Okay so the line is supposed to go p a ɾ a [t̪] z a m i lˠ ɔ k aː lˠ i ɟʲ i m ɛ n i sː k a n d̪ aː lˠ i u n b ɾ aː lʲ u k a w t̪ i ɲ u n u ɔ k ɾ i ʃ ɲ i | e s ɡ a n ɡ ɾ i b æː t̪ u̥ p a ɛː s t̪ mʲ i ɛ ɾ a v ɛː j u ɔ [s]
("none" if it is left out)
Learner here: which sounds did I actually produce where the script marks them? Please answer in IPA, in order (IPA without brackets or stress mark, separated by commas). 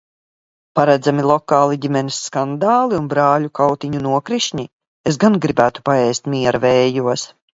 d̪, s